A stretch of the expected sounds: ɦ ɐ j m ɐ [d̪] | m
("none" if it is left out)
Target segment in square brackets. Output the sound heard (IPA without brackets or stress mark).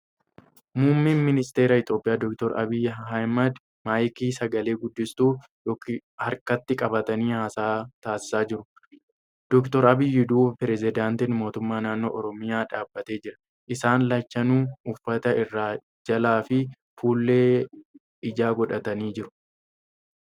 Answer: d̪